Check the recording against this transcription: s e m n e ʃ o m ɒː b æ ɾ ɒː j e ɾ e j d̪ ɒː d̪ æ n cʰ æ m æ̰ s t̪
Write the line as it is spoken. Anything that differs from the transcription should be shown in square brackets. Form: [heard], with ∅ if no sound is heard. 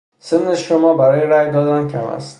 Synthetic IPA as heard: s e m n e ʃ o m ɒː b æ ɾ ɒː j e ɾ [æ] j d̪ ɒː d̪ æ n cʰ æ m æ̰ s t̪